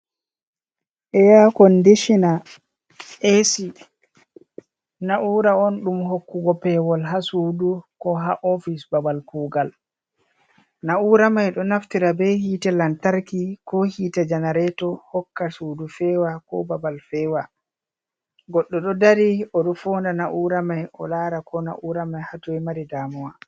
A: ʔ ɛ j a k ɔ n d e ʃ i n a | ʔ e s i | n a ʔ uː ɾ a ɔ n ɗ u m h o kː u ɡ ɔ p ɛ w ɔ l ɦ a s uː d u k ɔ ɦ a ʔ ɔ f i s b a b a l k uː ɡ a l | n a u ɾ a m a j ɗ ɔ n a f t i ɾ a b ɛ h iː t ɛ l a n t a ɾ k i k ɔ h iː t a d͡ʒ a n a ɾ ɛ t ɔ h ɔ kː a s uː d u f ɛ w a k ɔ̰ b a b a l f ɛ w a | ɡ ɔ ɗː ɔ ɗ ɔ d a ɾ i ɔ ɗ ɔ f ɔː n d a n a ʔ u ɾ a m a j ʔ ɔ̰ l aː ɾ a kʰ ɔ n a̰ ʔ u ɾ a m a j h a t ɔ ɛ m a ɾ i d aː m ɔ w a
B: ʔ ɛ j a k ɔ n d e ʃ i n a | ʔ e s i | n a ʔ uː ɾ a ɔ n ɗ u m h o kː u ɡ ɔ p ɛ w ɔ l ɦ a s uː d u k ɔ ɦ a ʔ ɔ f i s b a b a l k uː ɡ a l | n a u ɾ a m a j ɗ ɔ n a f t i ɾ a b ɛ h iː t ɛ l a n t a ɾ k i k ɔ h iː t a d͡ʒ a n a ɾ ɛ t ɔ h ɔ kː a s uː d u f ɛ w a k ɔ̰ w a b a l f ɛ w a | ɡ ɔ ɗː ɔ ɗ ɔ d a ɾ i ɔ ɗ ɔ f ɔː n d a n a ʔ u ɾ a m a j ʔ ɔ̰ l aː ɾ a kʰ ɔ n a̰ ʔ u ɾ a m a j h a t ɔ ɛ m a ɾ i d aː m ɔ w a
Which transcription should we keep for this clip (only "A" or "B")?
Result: A